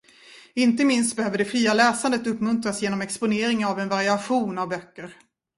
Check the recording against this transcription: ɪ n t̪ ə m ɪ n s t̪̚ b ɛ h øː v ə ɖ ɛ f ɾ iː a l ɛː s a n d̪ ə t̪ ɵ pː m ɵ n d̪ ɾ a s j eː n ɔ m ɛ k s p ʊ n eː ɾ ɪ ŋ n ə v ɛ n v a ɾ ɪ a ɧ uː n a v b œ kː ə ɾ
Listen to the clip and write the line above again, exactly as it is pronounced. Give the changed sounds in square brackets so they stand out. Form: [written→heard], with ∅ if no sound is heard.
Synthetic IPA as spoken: ɪ n t̪ ə m ɪ n s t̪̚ b ɛ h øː v ə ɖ ɛ f ɾ iː a l ɛː s a n d̪ ə t̪ ɵ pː m ɵ n [d̪→t̪] ɾ a s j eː n ɔ m ɛ k s p ʊ n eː ɾ ɪ ŋ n [ə→a] v ɛ n v a ɾ ɪ a ɧ uː n a v b œ kː ə ɾ